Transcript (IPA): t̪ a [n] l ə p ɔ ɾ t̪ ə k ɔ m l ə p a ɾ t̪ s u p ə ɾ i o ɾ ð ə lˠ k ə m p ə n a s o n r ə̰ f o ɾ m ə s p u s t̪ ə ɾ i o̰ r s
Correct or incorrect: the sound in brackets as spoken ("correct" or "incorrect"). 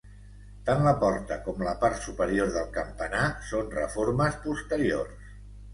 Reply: correct